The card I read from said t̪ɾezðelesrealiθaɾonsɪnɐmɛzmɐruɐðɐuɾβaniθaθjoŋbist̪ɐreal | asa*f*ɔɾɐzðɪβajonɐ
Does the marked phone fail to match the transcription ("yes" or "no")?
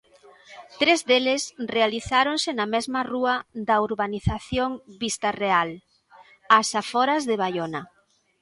no